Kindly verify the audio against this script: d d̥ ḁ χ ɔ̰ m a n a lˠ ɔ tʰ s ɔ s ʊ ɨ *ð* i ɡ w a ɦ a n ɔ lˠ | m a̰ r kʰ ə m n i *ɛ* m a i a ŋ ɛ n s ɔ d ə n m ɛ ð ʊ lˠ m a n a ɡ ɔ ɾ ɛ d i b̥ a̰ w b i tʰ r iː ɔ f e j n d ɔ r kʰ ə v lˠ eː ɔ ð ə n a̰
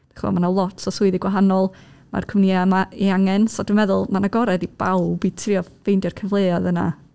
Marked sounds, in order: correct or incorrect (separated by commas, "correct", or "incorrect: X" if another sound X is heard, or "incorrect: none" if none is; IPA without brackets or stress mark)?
correct, incorrect: a